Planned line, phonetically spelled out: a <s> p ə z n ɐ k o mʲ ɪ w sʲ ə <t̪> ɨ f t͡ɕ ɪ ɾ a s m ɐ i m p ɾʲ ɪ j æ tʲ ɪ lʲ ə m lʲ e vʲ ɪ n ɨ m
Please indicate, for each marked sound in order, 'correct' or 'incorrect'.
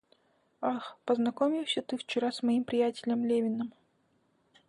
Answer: incorrect: x, correct

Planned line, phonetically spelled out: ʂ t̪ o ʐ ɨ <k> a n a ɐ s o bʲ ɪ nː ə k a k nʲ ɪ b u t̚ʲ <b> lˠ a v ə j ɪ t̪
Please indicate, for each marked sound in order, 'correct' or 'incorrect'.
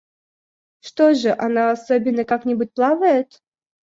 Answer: incorrect: ʔ, incorrect: p

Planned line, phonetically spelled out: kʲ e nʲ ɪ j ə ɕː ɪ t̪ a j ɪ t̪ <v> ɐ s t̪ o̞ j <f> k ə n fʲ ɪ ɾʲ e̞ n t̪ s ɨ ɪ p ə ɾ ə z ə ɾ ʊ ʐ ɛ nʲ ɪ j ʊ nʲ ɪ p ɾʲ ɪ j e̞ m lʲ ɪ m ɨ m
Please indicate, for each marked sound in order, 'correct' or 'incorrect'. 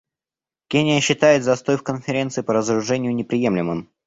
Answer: incorrect: z, correct

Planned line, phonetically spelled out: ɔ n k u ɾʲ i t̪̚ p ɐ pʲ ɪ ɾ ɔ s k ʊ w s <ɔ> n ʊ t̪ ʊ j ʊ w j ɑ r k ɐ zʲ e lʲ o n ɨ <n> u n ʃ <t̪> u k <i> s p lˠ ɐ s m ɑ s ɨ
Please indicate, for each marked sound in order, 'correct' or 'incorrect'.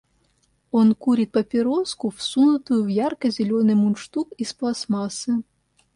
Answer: incorrect: u, incorrect: m, correct, correct

